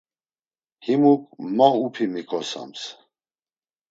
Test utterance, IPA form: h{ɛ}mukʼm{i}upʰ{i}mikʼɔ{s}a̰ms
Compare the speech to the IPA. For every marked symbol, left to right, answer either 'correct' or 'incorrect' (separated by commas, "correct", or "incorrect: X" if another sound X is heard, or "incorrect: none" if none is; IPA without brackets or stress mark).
incorrect: i, incorrect: a, correct, correct